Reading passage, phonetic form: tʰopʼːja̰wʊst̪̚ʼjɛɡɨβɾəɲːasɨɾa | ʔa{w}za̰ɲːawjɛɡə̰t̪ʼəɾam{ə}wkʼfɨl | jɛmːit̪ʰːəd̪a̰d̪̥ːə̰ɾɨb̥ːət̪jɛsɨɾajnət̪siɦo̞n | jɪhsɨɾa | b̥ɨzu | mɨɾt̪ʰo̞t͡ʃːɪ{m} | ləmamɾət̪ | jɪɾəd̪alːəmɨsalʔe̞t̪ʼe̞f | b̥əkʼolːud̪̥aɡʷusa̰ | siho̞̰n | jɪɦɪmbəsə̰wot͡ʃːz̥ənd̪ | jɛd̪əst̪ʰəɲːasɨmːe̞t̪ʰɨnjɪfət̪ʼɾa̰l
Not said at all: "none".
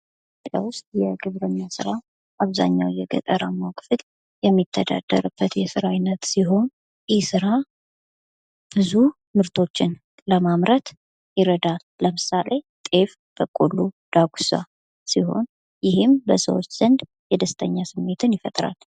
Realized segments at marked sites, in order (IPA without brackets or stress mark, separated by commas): β, a, n